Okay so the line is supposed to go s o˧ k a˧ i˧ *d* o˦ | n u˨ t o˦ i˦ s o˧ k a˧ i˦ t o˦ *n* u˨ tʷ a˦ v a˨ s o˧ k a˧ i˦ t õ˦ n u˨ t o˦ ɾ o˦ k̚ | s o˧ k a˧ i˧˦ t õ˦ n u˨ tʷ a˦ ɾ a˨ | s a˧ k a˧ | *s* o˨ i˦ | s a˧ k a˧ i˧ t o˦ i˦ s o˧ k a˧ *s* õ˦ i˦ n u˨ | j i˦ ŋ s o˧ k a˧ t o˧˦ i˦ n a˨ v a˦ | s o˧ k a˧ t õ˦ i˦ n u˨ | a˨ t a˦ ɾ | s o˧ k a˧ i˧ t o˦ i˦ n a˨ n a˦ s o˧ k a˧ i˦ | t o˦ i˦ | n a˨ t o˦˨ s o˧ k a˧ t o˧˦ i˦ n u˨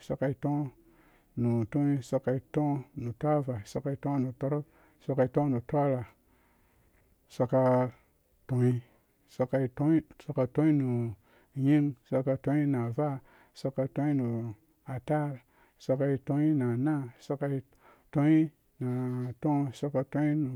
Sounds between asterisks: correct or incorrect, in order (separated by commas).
incorrect, correct, incorrect, incorrect